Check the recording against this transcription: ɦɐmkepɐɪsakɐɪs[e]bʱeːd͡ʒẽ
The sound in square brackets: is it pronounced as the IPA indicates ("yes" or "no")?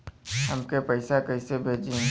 yes